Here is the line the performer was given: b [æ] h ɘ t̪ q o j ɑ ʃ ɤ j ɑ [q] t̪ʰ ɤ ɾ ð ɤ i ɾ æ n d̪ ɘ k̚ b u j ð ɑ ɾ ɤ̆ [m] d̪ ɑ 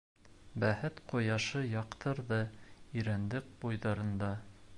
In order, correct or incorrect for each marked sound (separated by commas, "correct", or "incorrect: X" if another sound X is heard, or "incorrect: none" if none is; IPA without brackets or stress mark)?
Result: correct, correct, incorrect: n